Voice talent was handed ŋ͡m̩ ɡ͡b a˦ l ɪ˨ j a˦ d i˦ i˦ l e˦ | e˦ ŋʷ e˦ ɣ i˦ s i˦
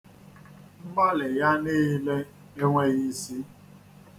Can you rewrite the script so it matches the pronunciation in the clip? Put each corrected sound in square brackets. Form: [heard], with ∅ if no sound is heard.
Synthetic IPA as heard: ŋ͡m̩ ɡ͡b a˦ l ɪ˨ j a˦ [n] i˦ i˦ l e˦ | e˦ ŋʷ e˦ ɣ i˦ s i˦